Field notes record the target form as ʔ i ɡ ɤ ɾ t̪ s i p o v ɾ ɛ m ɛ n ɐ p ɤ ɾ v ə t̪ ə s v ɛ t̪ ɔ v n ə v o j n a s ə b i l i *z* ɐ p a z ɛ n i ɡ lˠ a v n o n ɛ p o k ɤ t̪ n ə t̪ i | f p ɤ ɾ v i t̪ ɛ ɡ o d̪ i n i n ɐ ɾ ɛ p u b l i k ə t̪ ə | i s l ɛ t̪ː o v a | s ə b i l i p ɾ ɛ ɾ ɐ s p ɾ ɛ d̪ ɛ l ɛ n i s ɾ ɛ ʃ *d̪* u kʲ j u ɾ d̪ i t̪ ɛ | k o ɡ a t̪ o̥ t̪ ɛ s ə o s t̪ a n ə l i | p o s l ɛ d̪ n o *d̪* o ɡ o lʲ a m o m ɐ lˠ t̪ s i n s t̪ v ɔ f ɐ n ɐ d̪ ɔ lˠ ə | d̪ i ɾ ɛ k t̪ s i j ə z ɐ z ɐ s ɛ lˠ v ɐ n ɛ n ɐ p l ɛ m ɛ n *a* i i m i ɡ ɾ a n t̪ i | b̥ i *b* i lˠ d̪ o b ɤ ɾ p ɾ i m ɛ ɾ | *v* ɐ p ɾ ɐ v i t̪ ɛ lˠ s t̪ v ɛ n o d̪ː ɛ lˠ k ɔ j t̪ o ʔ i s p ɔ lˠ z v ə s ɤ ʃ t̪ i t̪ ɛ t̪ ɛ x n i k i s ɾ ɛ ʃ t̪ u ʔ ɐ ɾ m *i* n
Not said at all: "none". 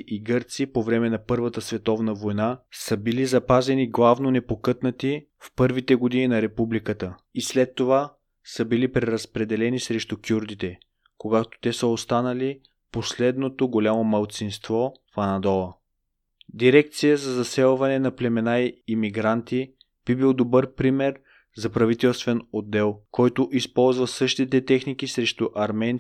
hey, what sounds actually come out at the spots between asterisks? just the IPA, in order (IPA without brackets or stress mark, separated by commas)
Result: z, t̪, t̪, a, b, z, ɛ